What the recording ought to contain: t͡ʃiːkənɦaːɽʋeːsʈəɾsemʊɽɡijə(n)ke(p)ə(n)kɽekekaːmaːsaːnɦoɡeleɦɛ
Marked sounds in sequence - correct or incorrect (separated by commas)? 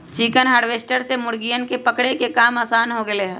correct, correct, incorrect